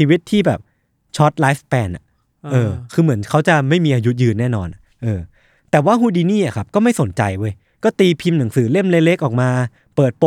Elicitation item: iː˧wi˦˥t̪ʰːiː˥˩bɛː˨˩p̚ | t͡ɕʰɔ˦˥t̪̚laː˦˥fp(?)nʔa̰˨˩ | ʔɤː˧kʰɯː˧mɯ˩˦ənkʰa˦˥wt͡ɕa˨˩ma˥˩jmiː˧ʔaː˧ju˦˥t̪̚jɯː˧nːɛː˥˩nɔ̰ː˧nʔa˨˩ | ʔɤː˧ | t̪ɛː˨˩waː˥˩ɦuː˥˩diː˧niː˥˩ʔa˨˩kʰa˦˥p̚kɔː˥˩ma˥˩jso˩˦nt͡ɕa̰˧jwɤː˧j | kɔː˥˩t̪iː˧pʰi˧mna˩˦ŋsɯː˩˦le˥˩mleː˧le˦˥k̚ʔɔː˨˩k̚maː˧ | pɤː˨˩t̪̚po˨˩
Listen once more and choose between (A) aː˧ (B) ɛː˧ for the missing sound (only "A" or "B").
B